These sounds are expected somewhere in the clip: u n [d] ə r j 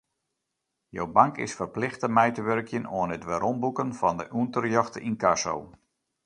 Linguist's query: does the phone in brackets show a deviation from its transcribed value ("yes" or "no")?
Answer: yes